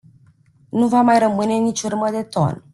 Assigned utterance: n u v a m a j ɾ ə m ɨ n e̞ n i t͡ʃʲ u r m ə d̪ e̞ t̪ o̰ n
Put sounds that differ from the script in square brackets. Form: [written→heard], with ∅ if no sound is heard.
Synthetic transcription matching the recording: n u v a m a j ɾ ə m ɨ n e̞ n i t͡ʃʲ u r m ə d̪ e̞ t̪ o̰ n